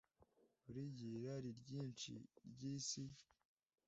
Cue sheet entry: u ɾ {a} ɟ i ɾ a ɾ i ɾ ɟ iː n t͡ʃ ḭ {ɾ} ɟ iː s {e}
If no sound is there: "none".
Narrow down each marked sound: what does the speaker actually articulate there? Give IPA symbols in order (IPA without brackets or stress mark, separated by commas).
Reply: i, ɾ, i